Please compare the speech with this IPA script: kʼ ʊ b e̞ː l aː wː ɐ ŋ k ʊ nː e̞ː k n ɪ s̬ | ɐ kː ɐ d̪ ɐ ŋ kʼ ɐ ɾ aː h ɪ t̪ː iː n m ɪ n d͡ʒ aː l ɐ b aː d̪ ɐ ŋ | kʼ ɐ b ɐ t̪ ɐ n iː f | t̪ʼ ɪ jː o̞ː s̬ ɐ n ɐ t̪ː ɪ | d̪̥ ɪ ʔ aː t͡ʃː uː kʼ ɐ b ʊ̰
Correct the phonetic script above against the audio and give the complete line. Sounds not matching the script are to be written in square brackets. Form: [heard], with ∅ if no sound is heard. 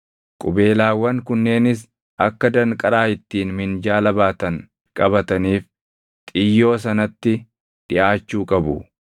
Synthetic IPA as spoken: kʼ ʊ b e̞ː l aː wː ɐ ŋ k ʊ nː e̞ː [∅] n ɪ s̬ | ɐ kː ɐ d̪ ɐ ŋ kʼ ɐ ɾ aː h ɪ t̪ː iː n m ɪ n d͡ʒ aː l ɐ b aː [t̪] ɐ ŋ | kʼ ɐ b ɐ t̪ ɐ n iː f | t̪ʼ ɪ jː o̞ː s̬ ɐ n ɐ t̪ː ɪ | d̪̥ ɪ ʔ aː t͡ʃː uː kʼ ɐ b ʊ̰